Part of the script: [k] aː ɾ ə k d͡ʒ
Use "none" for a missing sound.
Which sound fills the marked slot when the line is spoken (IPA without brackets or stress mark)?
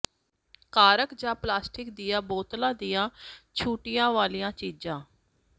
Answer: k